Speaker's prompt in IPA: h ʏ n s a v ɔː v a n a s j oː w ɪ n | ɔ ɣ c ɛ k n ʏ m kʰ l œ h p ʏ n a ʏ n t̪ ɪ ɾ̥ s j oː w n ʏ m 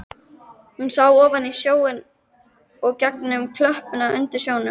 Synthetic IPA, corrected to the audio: h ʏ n s a w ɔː v a n i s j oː w ɪ n | ɔ ɣ c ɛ k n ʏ m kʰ l œ h p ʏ n a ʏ n t̪ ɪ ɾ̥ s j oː w n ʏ m